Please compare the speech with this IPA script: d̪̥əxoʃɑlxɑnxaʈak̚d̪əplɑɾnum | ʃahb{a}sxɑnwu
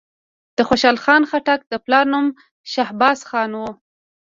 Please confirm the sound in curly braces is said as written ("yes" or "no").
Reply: no